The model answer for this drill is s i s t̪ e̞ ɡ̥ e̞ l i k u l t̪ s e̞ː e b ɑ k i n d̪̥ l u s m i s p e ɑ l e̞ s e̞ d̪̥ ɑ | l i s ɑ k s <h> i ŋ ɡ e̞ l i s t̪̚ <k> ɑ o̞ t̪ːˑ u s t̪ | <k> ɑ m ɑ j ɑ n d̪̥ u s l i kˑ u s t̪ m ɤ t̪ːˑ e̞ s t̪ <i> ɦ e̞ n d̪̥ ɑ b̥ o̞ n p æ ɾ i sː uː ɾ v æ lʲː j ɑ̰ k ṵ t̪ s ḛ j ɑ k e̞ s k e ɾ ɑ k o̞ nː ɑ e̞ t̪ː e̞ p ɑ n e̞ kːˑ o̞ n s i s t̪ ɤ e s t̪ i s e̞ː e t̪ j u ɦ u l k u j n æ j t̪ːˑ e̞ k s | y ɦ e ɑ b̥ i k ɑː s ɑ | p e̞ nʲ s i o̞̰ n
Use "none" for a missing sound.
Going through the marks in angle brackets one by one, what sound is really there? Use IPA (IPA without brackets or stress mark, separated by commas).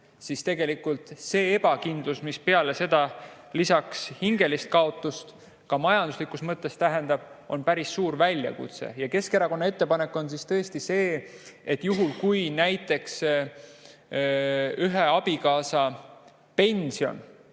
h, k, k, æ